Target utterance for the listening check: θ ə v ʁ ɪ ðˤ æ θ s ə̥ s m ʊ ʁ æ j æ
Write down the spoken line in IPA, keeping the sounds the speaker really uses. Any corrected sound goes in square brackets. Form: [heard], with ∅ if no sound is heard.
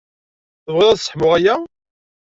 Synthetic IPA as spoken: θ ə v ʁ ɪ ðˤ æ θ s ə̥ [ħ] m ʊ ʁ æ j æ